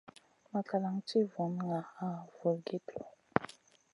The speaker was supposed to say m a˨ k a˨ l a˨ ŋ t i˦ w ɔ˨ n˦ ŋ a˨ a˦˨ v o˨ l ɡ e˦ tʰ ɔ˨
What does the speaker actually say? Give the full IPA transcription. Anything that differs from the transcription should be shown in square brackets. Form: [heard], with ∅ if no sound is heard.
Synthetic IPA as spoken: m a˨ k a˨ l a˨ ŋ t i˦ [v] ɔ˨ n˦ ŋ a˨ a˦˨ v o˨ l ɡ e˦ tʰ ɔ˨